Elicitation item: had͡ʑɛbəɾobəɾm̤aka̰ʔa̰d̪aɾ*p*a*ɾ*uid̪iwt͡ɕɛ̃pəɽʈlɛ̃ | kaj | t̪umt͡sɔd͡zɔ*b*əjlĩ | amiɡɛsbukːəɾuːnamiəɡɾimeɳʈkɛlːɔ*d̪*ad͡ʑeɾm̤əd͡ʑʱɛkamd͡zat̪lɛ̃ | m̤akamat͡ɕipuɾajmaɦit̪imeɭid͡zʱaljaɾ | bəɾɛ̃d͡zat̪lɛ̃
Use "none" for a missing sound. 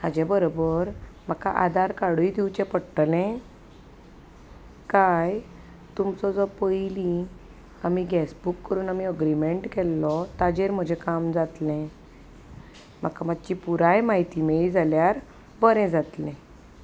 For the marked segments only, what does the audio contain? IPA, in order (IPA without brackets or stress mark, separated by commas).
k, ɽ, p, t̪